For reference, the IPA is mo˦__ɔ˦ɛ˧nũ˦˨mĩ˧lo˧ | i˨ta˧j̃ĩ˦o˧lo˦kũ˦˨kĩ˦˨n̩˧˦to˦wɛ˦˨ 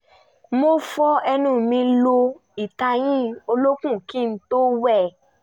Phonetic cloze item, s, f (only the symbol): f